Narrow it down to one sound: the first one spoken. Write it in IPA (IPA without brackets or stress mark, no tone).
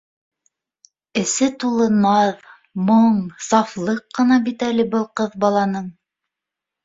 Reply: ɘ̆